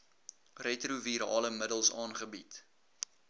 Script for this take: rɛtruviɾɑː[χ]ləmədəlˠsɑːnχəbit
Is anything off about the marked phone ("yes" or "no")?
yes